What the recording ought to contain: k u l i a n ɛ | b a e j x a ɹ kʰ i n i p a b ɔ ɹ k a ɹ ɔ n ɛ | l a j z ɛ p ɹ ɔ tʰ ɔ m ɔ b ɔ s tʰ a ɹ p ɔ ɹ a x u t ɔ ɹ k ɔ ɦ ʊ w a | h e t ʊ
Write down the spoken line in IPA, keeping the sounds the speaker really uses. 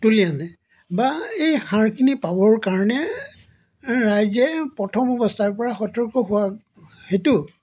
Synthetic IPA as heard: t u l i a n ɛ | b a e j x a ɹ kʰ i n i p a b ɔ ɹ k a ɹ ɔ n ɛ | ɹ a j z ɛ p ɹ ɔ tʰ ɔ m ɔ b ɔ s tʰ a ɹ p ɔ ɹ a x ɔ t ɔ ɹ k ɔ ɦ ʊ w a | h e t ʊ